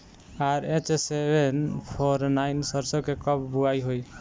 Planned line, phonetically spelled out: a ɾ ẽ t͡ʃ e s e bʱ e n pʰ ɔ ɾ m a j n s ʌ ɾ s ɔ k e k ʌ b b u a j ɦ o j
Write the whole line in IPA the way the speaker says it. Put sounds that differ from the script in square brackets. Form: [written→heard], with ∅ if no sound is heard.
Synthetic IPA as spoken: a ɾ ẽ t͡ʃ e s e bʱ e n pʰ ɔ ɾ [m→n] a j n s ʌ ɾ s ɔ k e k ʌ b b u a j ɦ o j